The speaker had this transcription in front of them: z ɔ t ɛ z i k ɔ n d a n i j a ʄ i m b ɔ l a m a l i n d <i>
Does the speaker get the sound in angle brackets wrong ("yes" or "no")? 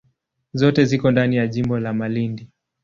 no